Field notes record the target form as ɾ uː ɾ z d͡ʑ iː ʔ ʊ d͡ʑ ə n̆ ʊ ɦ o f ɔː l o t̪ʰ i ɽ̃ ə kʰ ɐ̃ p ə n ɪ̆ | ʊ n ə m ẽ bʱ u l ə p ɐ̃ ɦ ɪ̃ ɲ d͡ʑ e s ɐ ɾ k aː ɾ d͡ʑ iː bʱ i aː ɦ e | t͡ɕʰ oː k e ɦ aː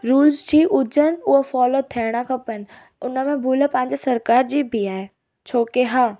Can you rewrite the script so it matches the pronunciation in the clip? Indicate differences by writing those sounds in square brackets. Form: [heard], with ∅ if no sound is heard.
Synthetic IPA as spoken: ɾ uː [l] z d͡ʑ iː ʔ ʊ d͡ʑ ə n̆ ʊ ɦ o f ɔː l o t̪ʰ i ɽ̃ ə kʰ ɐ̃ p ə n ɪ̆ | ʊ n ə m ẽ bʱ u l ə p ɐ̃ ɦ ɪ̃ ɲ d͡ʑ e s ɐ ɾ k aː ɾ d͡ʑ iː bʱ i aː ɦ e | t͡ɕʰ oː k e ɦ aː